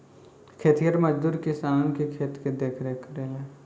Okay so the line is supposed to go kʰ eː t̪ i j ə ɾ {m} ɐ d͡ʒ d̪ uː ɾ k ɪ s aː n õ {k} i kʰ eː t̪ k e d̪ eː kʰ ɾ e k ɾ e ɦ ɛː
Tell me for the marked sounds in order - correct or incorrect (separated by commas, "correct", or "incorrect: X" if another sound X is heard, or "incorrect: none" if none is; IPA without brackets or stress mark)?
correct, correct